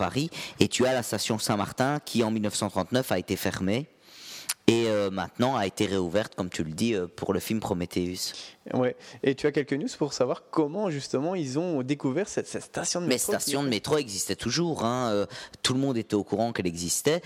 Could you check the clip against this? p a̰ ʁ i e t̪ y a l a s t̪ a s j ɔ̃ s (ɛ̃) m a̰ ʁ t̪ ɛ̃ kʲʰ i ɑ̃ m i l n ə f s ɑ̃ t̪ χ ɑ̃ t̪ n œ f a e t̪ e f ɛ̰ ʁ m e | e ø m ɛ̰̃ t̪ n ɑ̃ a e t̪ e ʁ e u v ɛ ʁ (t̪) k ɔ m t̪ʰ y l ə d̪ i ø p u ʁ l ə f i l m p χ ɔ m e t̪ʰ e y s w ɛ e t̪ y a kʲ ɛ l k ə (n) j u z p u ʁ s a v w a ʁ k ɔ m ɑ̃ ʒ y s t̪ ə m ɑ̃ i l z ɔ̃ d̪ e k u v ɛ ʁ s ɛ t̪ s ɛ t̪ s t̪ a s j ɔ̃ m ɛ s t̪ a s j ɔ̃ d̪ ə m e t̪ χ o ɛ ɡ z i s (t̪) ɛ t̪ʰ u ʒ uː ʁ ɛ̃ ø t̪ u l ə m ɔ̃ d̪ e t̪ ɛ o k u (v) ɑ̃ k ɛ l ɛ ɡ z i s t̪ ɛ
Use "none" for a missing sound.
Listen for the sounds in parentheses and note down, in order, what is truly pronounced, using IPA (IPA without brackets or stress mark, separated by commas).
ɛ̃, t̪, n, t̪, ʁ